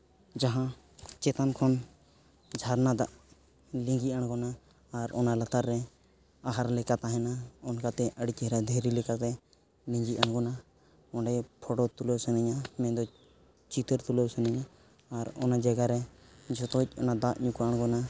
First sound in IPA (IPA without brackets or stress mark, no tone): d͡ʒ